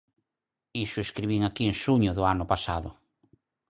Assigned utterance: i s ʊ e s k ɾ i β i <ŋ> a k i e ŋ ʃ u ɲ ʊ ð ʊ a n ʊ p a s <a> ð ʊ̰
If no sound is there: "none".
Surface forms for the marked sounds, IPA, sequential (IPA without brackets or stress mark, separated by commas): ŋ, a